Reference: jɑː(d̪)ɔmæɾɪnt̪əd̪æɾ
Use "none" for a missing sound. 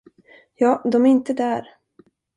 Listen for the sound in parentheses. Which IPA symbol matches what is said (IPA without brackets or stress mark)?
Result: d̪